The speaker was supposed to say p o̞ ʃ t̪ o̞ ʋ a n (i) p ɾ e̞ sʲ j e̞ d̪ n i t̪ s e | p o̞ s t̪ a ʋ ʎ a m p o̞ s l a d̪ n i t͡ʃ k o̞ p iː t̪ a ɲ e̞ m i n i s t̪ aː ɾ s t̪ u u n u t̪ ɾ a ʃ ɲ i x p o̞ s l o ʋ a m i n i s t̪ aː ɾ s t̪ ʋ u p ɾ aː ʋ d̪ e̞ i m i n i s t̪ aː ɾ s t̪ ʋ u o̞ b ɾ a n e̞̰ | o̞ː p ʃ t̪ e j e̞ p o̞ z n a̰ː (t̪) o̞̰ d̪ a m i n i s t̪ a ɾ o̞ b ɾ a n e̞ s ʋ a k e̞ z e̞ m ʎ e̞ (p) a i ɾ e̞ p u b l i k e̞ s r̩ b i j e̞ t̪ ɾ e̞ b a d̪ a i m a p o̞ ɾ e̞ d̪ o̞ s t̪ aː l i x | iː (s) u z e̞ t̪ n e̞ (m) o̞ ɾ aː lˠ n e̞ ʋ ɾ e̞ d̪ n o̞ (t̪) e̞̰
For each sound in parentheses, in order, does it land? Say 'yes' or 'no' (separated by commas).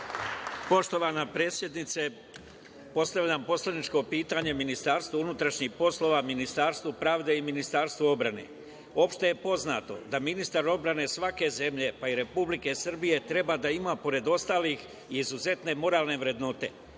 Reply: no, yes, yes, no, yes, yes